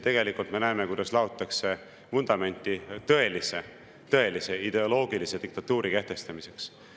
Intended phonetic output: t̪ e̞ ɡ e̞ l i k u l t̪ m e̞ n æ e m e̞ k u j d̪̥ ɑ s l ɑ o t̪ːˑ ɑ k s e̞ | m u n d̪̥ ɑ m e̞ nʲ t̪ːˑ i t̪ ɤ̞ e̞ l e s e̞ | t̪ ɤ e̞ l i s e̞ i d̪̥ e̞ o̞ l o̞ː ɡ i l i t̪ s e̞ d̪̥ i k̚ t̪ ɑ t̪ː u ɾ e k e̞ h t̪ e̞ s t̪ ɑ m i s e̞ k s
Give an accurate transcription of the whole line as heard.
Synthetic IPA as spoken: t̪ e̞ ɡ e̞ l i k u l t̪ m e̞ n æ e m e̞ k u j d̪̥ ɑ s l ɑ o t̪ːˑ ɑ k s e̞ | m u n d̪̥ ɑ m e̞ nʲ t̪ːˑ i t̪ ɤ̞ e̞ l i s e̞ | t̪ ɤ e̞ l i s e̞ i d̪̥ e̞ o̞ l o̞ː ɡ i l i s e̞ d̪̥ i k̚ t̪ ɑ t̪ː uː ɾ i k e̞ h t̪ e̞ s t̪ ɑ m i s e̞ k s